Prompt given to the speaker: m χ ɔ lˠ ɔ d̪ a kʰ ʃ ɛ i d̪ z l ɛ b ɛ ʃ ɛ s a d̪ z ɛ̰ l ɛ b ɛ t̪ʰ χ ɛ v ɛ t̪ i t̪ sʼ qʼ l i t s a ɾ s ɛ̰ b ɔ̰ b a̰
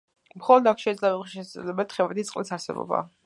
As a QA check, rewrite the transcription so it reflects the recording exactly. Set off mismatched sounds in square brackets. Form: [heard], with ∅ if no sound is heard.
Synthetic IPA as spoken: m χ ɔ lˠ ɔ d̪ a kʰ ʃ ɛ i d̪ z l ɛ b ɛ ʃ ɛ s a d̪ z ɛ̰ l ɛ b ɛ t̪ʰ χ ɛ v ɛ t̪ i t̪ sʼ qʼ l i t s a ɾ s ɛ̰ b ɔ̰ b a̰